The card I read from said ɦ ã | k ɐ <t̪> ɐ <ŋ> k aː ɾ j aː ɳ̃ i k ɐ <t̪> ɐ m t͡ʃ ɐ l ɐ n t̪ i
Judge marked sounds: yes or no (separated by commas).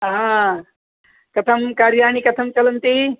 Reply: no, no, no